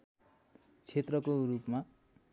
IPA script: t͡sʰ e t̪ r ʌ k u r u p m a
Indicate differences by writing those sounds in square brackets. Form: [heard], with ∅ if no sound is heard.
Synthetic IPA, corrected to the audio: t͡sʰ e t̪ r ʌ k [o] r u p m a

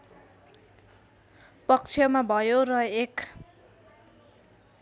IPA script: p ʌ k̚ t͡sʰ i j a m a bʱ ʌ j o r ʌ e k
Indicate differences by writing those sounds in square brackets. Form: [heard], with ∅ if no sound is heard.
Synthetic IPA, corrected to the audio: p ʌ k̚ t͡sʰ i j [ʌ] m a bʱ ʌ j o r ʌ e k

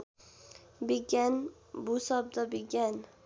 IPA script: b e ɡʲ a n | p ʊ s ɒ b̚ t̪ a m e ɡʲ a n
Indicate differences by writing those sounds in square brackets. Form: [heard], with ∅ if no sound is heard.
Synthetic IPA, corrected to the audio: b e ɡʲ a n | [b] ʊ s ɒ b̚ [d̪] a [b] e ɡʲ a n

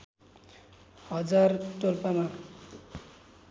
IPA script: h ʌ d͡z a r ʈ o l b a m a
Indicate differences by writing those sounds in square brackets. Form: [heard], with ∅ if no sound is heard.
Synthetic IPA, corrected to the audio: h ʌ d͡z a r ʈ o l [p] a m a

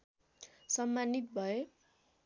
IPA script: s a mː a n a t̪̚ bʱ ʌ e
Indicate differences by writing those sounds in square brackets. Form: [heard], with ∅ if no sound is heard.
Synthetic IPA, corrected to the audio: s [ʌ] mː a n [i] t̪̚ bʱ ʌ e

